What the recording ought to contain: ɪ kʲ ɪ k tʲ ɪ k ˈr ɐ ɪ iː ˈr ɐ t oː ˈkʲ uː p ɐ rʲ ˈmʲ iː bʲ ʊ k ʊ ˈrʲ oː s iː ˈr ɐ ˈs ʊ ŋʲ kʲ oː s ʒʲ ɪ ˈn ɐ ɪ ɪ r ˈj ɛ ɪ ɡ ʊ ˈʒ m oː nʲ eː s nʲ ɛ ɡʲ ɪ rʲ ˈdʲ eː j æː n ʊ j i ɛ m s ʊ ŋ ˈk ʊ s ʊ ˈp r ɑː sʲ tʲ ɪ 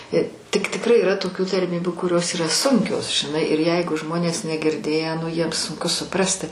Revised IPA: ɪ tʲ ɪ k tʲ ɪ k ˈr ɐ ɪ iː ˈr ɐ t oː ˈkʲ uː t ɐ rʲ ˈmʲ iː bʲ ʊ k ʊ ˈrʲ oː s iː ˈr ɐ ˈs ʊ ŋʲ kʲ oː s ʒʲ ɪ ˈn ɐ ɪ ɪ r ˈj ɛ ɪ ɡ ʊ ˈʒ m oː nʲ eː s nʲ ɛ ɡʲ ɪ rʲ ˈdʲ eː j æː n ʊ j i ɛ m s ʊ ŋ ˈk ʊ s ʊ ˈp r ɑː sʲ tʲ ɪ